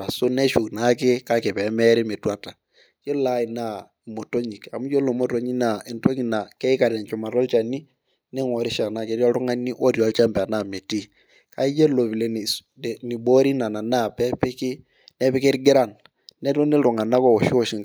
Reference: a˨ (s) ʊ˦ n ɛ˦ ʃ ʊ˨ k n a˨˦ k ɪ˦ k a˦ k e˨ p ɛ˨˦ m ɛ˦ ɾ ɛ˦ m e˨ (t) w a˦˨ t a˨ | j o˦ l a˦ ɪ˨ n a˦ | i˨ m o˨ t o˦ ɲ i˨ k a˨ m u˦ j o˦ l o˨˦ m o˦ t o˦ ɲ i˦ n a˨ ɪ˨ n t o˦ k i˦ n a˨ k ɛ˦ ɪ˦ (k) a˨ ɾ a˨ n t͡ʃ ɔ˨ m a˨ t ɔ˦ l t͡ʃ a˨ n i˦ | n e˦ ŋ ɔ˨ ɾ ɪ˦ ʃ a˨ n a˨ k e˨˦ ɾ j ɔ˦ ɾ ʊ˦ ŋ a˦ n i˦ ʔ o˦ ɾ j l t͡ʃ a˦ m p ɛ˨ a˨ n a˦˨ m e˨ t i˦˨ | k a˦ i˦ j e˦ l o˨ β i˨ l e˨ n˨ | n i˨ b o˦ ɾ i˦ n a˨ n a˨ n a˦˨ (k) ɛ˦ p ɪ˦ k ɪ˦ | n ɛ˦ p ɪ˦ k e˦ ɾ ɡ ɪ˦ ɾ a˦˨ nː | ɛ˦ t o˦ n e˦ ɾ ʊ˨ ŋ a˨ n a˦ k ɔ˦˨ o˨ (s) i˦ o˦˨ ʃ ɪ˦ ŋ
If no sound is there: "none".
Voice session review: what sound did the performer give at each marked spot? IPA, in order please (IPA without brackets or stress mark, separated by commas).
s, t, k, p, ʃ